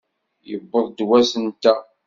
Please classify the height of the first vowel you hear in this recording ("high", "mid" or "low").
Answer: mid